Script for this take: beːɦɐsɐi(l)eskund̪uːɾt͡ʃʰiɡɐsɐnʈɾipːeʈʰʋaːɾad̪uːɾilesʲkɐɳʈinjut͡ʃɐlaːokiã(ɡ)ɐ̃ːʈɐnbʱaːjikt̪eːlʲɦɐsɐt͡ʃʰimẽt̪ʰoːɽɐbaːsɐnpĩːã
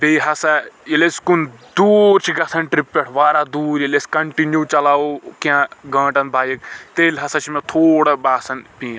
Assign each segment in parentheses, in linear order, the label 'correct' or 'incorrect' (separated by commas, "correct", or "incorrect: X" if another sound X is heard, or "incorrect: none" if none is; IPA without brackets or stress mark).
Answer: correct, correct